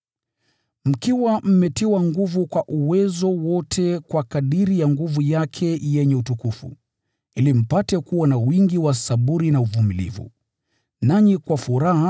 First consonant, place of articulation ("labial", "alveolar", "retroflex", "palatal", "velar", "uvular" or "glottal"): labial